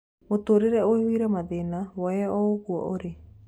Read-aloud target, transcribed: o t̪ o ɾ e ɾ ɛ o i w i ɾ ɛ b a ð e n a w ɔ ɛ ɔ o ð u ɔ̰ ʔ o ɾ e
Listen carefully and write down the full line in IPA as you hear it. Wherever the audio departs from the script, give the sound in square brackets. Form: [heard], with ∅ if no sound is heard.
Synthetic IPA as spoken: o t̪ o ɾ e ɾ ɛ o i w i ɾ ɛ [m] a ð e n a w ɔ ɛ ɔ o [ɣ] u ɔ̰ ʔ o ɾ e